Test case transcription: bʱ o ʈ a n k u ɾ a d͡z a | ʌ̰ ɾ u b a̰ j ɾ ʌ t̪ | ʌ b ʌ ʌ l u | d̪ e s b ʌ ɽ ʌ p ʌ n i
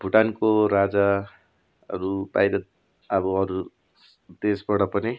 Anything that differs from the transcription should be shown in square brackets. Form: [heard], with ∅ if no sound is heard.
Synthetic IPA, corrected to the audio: bʱ [u] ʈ a n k [o] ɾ a d͡z a | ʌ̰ ɾ u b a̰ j ɾ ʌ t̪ | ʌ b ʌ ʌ [ɾ] u | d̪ e s b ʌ ɽ ʌ p ʌ n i